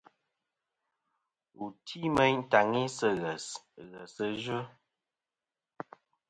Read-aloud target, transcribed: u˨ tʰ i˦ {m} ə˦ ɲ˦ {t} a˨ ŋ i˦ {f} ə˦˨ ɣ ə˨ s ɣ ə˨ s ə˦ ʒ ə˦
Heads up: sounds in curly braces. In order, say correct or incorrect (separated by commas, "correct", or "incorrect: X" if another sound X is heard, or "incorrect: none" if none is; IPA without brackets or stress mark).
correct, correct, incorrect: s